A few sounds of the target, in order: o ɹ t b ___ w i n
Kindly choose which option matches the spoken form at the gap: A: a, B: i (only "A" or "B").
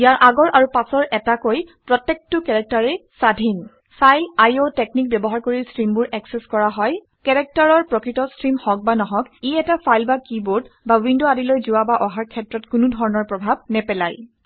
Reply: A